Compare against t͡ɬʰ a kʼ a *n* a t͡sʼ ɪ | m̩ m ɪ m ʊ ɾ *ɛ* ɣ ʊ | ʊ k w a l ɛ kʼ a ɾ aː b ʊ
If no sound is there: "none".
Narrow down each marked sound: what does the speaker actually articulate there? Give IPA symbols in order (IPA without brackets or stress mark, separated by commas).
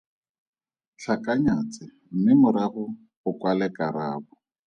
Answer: ɲ, a